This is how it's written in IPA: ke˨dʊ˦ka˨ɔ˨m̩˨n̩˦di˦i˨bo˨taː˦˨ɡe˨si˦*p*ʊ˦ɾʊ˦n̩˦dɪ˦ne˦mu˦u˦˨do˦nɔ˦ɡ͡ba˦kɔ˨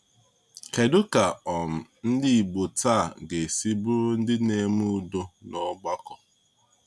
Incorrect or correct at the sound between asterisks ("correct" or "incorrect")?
incorrect